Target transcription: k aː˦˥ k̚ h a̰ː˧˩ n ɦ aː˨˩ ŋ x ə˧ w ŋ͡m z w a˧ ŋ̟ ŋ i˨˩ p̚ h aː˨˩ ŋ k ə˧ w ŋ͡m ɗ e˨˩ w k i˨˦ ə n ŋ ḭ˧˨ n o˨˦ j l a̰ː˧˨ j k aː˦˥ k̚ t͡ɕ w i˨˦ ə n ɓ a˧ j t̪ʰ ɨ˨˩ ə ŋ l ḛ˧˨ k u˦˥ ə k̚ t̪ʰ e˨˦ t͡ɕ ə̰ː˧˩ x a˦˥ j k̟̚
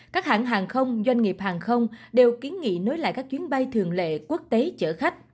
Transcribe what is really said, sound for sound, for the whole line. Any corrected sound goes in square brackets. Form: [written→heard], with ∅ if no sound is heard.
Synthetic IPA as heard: k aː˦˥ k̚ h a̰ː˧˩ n ɦ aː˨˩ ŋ x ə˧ w ŋ͡m z w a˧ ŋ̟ ŋ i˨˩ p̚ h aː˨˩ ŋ [k→x] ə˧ w ŋ͡m ɗ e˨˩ w k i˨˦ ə n ŋ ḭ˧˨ n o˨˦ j l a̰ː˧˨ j k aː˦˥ k̚ t͡ɕ w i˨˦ ə n ɓ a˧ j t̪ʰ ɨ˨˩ ə ŋ l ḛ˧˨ k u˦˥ ə k̚ [t̪ʰ→t̪] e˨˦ t͡ɕ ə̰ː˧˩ x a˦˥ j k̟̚